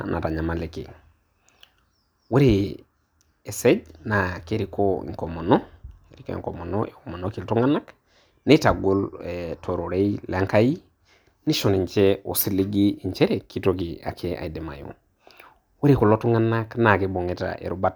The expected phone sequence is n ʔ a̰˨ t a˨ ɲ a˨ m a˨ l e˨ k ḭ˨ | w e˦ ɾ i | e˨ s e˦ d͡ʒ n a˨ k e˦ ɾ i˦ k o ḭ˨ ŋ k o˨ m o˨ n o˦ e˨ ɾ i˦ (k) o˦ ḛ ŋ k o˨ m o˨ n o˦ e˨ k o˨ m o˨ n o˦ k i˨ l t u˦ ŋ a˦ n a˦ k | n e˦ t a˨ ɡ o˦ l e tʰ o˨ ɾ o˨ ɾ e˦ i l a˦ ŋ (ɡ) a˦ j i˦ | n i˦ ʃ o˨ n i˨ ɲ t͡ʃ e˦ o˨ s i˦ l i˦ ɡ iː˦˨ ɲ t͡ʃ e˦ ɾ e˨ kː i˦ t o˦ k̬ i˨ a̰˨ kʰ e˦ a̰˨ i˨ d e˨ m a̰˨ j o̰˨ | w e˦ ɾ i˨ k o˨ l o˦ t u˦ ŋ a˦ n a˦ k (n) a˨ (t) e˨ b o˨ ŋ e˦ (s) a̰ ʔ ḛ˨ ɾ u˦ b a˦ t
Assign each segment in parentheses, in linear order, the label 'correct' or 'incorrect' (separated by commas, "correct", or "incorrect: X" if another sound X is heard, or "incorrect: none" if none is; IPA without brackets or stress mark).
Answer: correct, incorrect: k, correct, incorrect: k, incorrect: t